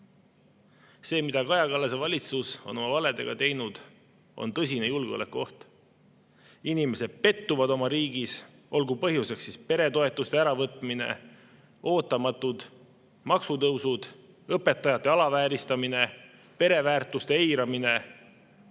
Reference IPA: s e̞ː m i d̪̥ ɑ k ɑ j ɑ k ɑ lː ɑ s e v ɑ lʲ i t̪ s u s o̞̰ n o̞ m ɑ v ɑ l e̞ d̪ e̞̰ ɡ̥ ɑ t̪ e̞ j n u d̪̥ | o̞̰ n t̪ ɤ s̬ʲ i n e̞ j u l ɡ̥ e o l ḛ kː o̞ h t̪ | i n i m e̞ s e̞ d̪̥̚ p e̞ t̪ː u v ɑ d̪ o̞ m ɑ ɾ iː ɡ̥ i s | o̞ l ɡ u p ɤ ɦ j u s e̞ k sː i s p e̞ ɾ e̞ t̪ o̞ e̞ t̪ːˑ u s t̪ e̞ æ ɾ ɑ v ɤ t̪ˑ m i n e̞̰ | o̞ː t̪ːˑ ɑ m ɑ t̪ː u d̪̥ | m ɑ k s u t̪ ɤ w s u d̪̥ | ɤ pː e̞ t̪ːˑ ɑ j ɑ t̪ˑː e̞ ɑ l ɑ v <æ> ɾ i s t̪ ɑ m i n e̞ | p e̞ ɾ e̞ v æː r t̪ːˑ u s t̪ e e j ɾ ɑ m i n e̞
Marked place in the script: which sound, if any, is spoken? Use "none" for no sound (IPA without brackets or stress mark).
æː